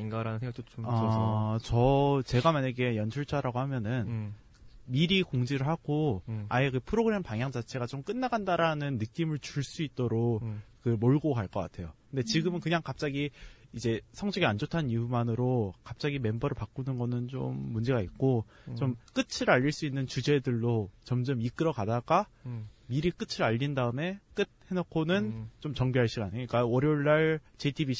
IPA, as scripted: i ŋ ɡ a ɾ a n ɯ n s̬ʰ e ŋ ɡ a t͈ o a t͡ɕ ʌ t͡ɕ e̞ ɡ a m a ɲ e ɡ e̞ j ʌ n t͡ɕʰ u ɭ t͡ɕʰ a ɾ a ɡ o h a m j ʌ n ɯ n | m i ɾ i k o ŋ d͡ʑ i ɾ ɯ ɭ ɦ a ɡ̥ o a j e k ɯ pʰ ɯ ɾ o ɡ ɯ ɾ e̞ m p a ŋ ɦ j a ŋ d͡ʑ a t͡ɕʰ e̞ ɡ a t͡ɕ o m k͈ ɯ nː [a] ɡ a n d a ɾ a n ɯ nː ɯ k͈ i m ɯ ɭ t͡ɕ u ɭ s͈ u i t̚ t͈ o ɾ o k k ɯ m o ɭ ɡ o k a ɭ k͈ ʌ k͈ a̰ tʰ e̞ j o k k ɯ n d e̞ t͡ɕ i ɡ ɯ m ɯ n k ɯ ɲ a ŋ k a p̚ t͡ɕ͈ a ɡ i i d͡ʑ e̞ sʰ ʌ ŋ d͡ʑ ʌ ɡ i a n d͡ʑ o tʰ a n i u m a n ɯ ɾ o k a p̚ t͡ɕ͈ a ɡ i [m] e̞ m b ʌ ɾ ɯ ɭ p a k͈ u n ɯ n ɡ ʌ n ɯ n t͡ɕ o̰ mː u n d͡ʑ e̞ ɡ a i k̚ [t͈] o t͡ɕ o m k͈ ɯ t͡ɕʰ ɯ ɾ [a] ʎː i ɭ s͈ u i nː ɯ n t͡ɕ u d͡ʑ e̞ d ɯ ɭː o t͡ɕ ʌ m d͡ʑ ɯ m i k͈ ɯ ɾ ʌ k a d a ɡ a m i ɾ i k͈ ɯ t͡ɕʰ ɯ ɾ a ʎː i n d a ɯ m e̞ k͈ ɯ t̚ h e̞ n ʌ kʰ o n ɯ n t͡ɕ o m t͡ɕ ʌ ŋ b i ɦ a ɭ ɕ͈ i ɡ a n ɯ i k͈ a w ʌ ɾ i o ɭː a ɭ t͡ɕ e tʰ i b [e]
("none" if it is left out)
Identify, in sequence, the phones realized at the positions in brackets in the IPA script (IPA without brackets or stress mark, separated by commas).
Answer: a, m, k͈, a, i